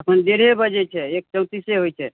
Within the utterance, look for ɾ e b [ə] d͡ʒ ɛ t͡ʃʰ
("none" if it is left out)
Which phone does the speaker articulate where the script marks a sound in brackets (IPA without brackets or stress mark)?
ə